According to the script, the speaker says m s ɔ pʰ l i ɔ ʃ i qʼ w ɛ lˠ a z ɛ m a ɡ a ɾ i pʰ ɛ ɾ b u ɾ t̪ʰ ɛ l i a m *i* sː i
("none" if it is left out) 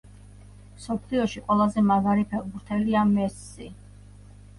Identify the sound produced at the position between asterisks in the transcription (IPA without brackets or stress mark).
ɛ